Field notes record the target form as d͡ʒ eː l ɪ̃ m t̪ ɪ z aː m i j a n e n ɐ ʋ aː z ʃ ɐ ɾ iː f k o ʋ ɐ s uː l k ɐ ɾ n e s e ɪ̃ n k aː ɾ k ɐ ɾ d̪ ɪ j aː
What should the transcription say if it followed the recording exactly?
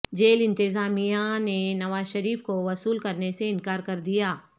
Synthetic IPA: d͡ʒ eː l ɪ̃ n t̪ ɪ z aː m i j a n e n ɐ ʋ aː z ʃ ɐ ɾ iː f k o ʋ ɐ s uː l k ɐ ɾ n e s e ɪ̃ n k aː ɾ k ɐ ɾ d̪ i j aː